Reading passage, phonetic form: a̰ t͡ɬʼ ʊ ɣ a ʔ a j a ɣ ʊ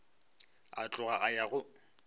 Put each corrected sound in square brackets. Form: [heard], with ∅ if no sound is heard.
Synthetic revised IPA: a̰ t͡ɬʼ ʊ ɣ a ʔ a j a ɣ ʊ